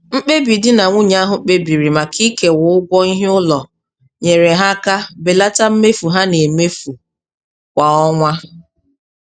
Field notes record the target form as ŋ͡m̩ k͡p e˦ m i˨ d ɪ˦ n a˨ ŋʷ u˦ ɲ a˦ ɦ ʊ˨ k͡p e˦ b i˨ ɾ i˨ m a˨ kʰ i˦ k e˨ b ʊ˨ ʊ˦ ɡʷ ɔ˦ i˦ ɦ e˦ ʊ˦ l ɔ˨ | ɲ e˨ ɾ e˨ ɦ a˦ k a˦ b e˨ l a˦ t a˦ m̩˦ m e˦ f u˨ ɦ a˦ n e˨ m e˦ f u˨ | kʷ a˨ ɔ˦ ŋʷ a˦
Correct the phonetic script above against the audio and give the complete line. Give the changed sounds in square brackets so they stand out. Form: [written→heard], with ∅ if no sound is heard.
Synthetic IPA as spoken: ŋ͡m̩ k͡p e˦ [m→b] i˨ d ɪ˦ n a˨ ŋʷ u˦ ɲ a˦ ɦ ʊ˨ k͡p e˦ b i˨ ɾ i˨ m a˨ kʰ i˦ k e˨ [b→w] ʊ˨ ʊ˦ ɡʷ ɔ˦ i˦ ɦ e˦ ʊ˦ l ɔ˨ | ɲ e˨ ɾ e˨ ɦ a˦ k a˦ b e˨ l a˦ t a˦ m̩˦ m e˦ f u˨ ɦ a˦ n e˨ m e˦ f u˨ | kʷ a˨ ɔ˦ ŋʷ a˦